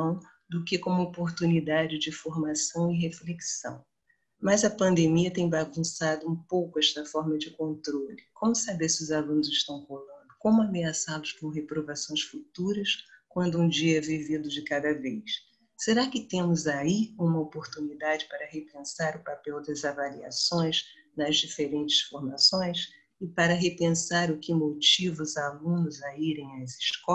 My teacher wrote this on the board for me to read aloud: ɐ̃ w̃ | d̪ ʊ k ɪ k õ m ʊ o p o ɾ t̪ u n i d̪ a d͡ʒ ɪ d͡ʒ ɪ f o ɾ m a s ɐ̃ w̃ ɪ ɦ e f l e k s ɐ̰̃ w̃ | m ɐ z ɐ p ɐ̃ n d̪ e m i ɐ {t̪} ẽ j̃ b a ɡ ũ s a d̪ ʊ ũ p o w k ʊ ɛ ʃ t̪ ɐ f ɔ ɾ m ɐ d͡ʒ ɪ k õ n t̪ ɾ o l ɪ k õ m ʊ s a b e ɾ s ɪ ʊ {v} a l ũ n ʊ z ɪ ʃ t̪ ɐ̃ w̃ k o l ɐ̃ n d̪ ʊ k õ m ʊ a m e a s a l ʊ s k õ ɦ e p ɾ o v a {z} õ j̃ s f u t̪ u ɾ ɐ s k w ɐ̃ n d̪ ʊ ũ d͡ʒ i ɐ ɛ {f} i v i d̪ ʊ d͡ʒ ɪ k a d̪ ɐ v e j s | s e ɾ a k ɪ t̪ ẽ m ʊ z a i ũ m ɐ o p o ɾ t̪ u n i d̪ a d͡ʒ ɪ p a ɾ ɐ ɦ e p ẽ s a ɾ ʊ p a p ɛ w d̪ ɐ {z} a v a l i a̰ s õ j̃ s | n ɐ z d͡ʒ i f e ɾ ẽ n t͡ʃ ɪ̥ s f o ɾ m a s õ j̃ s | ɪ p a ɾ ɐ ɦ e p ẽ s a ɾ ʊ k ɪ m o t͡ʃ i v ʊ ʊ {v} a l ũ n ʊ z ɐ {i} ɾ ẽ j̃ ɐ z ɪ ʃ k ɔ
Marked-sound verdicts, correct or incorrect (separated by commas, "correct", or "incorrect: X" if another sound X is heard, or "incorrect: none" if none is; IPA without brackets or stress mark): correct, incorrect: z, incorrect: s, incorrect: v, correct, incorrect: z, correct